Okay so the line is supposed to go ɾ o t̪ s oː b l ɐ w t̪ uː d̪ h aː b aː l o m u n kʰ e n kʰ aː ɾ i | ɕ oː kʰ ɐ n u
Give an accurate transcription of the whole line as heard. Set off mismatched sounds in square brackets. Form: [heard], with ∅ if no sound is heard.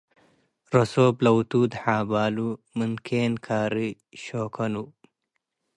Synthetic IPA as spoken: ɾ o [∅] s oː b l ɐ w t̪ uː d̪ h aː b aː l [u] m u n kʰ e n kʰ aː ɾ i | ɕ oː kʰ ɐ n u